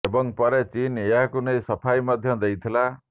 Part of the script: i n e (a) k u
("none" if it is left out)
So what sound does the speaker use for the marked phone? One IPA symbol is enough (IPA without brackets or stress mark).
a